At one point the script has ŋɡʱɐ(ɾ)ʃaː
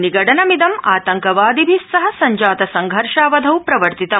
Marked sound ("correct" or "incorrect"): correct